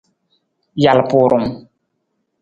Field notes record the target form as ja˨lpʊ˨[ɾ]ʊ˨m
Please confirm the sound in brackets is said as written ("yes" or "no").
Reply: yes